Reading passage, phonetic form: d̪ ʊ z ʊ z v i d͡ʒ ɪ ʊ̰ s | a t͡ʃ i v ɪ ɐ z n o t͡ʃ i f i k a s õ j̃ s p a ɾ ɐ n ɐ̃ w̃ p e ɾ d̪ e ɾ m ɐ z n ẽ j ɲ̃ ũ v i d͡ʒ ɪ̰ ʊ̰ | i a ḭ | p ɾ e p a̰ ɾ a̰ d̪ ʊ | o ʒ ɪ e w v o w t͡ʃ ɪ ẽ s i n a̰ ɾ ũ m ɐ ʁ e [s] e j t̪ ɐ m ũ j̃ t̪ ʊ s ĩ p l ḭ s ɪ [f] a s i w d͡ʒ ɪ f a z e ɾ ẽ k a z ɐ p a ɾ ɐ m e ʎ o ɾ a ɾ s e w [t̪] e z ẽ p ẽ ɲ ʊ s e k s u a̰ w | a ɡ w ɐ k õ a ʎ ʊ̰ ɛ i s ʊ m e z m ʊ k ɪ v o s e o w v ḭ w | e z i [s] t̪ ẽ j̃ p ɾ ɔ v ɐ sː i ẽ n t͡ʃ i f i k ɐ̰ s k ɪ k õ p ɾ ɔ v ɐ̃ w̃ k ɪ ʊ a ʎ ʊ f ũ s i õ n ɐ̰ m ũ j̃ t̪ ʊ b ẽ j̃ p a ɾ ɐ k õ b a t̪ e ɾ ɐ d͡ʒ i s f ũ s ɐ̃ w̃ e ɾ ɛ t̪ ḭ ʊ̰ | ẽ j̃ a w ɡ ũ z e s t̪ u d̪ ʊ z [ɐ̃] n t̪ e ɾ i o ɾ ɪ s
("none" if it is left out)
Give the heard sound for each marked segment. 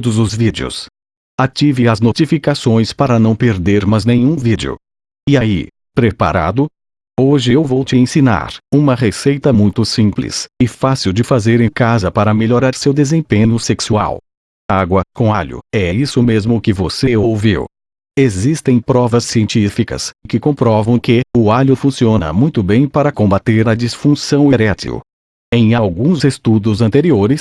s, f, d̪, s, ɐ̃

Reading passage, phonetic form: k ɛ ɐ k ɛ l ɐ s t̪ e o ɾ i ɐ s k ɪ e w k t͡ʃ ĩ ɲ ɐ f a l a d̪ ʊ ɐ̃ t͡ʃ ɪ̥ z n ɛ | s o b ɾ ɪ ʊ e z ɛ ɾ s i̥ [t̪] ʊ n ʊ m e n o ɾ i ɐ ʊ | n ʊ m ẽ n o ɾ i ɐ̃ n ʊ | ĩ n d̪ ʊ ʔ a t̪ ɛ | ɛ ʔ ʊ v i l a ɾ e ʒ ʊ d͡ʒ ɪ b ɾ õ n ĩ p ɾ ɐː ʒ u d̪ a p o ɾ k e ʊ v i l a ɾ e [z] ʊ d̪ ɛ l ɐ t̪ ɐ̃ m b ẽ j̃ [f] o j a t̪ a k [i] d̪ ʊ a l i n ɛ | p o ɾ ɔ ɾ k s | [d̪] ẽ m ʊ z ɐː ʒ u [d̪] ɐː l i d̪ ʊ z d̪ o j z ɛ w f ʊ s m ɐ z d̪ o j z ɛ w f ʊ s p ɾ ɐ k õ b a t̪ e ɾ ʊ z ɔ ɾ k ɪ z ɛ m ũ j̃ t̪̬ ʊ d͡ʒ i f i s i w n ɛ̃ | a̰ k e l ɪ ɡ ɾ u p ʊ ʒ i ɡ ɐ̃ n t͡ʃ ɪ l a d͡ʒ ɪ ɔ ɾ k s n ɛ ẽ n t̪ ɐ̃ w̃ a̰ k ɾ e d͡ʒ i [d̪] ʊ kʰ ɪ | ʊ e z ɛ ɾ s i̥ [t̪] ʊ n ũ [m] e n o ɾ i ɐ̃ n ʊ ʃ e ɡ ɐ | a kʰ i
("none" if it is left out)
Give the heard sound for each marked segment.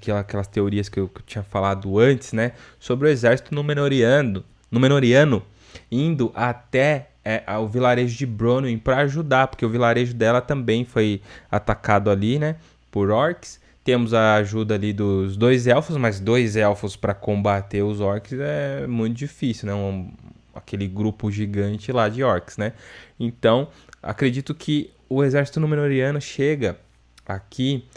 t̪, ʒ, f, a, t̪, d̪, t̪, t̪, m

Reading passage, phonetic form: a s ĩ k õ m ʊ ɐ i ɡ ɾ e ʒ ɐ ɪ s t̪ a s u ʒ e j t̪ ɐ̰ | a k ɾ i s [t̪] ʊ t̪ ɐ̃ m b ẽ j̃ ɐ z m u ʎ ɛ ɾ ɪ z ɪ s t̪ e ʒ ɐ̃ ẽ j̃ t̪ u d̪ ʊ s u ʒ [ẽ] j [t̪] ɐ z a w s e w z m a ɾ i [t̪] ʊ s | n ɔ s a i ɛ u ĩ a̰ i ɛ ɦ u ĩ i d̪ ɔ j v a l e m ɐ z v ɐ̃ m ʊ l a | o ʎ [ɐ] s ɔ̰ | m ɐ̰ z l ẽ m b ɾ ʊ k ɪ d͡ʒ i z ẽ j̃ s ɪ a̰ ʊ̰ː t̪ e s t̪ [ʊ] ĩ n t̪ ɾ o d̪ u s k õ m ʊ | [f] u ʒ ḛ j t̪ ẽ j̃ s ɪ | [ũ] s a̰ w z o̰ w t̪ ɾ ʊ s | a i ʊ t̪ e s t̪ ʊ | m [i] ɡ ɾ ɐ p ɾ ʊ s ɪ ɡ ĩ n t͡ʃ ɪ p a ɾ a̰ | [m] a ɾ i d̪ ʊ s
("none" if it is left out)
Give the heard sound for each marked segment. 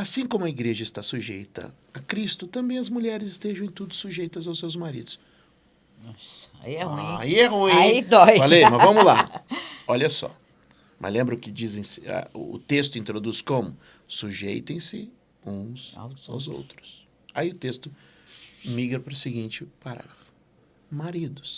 t̪, e, t̪, d̪, ɐ, ʊ, s, ũ, i, m

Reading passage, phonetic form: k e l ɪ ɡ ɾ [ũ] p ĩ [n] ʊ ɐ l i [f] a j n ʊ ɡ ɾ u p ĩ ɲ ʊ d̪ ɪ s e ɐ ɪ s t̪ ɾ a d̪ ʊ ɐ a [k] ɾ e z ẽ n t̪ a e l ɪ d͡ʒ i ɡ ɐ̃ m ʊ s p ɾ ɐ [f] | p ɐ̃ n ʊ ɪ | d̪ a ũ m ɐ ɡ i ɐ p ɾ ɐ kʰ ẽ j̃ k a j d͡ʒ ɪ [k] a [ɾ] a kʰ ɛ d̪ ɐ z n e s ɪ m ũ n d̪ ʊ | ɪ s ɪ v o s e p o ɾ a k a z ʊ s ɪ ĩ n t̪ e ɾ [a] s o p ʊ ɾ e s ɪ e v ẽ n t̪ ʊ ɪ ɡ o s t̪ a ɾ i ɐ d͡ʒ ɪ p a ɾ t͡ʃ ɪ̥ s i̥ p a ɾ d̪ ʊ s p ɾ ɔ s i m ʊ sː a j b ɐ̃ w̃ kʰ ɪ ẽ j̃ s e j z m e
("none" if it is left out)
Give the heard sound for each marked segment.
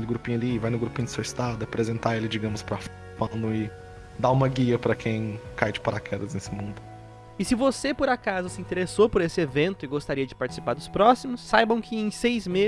u, ɲ, v, p, f, p, ɾ, e

